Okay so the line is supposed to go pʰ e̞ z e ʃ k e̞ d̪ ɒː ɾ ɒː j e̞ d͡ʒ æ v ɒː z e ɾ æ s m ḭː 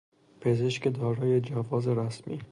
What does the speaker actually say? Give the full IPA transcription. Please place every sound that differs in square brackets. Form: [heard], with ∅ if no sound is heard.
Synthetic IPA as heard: pʰ e̞ z e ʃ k e̞ d̪ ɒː ɾ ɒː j e̞ d͡ʒ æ v ɒː z e ɾ æ s m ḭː